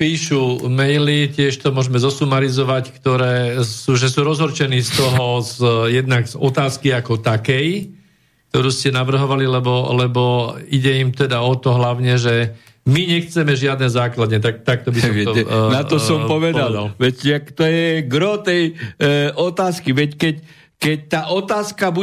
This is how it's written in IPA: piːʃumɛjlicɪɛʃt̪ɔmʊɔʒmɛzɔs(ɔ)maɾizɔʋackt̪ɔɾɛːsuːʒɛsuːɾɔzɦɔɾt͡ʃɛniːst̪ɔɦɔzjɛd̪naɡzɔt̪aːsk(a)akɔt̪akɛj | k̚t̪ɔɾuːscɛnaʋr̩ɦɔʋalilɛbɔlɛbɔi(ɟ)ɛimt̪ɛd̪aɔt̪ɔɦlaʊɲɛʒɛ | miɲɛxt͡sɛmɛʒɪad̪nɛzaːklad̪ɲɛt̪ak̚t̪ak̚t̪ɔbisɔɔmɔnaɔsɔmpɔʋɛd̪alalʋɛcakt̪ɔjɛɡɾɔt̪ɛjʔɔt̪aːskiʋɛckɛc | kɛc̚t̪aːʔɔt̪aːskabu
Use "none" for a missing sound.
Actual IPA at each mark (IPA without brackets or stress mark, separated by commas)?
u, i, ɟ